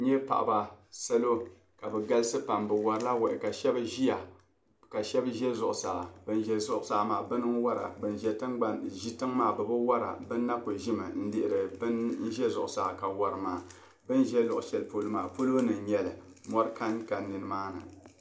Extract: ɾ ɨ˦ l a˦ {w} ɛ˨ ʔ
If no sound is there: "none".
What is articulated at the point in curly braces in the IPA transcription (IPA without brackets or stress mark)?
w